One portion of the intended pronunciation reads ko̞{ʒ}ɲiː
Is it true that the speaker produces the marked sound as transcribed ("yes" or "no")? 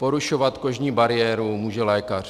yes